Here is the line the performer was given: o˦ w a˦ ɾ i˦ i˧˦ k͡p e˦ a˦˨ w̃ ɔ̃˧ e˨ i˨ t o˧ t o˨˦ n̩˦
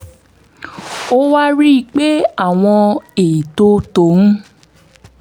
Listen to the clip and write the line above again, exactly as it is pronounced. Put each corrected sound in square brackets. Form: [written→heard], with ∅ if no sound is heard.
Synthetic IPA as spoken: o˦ w a˦ ɾ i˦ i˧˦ k͡p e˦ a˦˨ w̃ ɔ̃˧ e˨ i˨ t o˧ t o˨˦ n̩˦